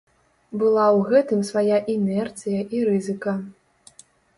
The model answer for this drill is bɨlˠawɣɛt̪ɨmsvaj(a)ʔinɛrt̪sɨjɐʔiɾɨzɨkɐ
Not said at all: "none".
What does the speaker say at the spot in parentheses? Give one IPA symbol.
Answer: a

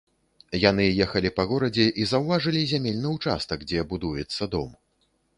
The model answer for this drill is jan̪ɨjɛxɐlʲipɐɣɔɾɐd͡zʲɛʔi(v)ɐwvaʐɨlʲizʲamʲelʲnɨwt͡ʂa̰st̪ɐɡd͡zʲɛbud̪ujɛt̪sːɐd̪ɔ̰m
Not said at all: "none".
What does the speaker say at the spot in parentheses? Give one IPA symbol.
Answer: z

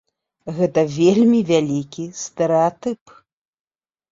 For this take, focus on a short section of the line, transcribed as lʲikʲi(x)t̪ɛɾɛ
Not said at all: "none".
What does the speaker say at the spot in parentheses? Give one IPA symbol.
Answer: s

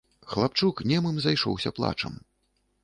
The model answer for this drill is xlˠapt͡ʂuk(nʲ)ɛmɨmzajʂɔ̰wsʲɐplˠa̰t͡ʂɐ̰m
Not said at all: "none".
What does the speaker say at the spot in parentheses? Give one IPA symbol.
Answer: nʲ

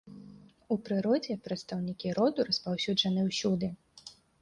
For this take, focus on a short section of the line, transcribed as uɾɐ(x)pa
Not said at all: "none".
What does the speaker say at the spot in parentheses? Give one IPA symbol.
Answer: s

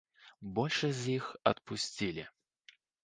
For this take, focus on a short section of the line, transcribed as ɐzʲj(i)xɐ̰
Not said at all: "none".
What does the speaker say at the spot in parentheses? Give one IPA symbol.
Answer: i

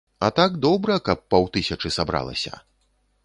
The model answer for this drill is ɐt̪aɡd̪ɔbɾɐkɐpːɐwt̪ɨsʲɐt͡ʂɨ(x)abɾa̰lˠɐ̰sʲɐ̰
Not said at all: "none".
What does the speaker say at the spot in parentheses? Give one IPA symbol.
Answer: s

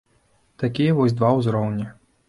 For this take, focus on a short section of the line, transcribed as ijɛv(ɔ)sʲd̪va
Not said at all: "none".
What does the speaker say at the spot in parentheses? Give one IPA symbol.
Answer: ɔ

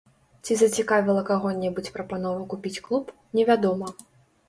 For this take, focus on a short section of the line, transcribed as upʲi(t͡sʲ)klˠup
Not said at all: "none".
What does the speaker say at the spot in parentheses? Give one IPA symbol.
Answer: t͡sʲ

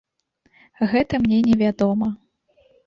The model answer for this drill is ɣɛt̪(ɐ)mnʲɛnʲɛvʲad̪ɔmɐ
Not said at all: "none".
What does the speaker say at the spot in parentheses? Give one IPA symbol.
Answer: ɐ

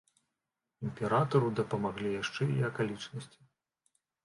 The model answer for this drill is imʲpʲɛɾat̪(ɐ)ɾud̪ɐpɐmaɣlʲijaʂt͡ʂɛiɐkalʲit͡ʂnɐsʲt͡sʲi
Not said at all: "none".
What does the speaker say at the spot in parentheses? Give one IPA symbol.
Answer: ɐ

